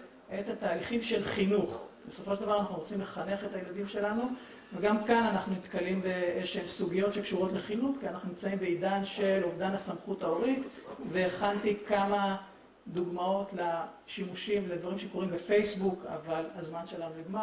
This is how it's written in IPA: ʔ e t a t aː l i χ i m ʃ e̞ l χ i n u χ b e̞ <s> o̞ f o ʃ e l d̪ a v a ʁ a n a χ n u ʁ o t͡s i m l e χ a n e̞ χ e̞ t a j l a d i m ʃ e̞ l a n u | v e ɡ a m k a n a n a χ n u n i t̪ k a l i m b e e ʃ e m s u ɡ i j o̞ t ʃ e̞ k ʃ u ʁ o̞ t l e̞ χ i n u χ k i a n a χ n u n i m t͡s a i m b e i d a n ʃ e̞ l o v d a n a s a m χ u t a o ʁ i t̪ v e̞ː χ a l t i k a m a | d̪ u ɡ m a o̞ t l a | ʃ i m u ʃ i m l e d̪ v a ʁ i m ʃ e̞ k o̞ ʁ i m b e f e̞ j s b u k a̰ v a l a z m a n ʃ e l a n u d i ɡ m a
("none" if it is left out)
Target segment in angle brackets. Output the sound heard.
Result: s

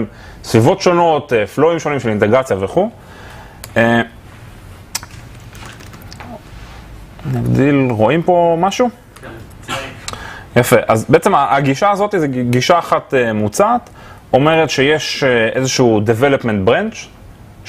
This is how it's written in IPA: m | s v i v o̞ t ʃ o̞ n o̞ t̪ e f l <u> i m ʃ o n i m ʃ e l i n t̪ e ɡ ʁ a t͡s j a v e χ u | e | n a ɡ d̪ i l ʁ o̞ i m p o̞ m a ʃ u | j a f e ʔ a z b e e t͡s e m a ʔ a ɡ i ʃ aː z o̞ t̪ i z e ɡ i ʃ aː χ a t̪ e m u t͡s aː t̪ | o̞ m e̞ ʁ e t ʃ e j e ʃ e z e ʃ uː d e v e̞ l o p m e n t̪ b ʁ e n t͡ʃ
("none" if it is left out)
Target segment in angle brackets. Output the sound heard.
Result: o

